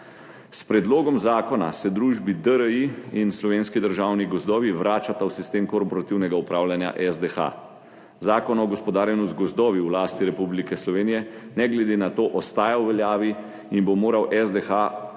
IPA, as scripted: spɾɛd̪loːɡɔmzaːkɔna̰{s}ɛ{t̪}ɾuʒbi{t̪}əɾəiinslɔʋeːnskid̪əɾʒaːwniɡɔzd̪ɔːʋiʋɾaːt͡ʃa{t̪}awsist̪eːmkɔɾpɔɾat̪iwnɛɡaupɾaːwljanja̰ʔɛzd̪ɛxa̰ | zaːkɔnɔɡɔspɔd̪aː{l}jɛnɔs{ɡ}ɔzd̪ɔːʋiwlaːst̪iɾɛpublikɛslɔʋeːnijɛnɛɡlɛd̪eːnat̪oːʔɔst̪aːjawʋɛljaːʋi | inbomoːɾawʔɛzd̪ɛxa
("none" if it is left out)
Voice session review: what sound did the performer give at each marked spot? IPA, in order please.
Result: s, d̪, d̪, t̪, ɾ, ɡ

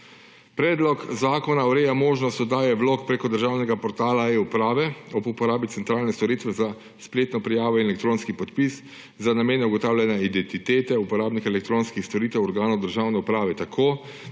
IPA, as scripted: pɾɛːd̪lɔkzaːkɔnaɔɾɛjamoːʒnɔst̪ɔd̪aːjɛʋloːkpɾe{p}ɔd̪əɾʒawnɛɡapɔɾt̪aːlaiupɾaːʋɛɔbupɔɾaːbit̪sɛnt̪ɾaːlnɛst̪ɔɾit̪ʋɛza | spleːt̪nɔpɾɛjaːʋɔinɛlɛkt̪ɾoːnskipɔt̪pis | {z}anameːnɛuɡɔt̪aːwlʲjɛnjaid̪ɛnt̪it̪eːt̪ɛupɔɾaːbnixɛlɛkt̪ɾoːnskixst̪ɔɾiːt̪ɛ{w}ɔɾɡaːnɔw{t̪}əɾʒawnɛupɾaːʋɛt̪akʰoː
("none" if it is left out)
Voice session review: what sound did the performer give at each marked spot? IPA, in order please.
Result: k, z, w, d̪

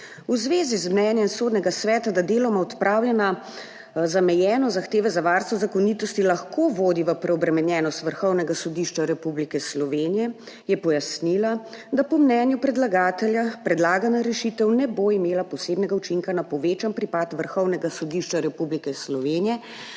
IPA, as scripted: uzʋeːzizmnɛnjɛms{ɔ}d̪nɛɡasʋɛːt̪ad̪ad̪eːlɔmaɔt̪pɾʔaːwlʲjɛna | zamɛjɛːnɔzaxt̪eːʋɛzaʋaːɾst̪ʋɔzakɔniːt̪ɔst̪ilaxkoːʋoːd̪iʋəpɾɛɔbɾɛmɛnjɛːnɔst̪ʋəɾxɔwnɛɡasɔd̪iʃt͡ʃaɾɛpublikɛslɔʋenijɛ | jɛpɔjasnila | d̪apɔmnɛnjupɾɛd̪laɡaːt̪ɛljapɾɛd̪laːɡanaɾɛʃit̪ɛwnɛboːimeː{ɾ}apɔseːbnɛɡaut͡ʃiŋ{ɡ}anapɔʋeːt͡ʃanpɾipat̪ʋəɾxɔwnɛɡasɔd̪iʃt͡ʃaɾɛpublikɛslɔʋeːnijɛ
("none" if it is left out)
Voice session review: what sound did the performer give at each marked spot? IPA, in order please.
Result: o, l, k

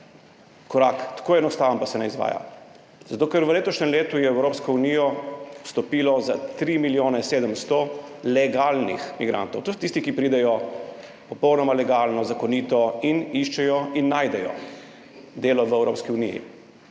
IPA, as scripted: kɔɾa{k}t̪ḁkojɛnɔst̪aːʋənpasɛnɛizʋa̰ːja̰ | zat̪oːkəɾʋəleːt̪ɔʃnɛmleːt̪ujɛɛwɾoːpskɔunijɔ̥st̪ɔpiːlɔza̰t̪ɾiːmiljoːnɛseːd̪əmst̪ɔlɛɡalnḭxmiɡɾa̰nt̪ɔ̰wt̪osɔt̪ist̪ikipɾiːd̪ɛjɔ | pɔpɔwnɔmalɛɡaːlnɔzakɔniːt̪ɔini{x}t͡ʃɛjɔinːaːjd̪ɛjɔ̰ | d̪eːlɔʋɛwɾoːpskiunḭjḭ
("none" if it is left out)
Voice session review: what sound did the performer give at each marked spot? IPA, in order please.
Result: k, ʃ

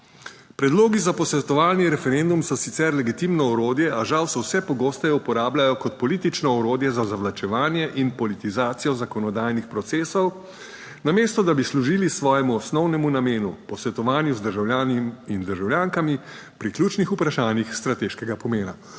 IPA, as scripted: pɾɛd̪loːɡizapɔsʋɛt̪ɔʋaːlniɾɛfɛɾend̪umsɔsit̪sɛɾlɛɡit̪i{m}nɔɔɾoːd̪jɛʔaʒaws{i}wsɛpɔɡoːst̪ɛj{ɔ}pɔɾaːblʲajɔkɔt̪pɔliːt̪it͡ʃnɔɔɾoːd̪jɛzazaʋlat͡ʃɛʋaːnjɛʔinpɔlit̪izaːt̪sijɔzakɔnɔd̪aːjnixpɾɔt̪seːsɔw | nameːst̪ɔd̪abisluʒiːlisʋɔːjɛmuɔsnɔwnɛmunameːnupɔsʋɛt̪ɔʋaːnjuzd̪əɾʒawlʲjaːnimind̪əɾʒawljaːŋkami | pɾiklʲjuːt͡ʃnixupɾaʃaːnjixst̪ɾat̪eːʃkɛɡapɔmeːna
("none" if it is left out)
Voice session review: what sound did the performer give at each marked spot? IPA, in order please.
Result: m, ɛ, u

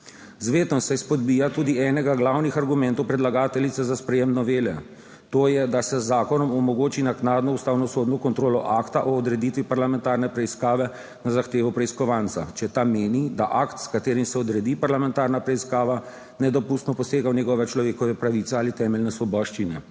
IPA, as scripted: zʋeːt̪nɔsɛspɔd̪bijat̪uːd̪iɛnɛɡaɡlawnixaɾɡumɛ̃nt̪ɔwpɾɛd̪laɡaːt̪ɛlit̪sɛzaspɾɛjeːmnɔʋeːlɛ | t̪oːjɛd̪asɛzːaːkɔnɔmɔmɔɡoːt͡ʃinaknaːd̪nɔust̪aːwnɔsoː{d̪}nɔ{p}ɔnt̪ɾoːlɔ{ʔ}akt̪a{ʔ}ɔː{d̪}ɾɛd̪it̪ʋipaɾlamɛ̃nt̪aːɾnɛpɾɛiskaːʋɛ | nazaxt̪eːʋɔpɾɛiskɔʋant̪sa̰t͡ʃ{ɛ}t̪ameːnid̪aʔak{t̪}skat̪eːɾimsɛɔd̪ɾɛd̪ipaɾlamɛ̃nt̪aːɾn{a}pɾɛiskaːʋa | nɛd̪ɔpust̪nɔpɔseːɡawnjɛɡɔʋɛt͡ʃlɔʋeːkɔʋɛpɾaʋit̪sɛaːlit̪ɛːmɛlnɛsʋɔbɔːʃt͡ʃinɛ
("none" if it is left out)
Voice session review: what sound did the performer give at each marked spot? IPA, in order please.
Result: d̪, k, ʔ, ʔ, d̪, ɛ, t̪, a

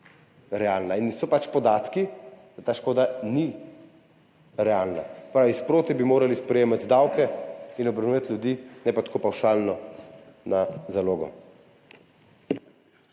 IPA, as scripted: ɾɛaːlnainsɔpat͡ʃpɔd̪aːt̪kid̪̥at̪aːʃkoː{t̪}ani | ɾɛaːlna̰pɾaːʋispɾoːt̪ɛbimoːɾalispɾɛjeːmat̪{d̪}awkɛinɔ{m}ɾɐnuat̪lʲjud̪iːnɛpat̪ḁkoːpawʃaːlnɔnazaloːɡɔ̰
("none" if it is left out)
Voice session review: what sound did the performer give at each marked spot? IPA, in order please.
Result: d̪, d̪, b

